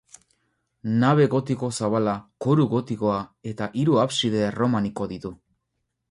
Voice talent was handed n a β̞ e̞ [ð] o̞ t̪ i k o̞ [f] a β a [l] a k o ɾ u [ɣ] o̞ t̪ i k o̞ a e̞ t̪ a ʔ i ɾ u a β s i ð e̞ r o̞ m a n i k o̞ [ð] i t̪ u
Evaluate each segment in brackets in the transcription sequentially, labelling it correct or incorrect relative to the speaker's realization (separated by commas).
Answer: incorrect, incorrect, correct, correct, correct